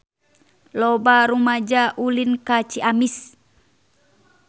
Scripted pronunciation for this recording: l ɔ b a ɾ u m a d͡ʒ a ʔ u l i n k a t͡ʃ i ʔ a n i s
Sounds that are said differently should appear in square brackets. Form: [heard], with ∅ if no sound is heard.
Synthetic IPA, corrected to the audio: l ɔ b a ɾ u m a d͡ʒ a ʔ u l i n k a t͡ʃ i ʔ a [m] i s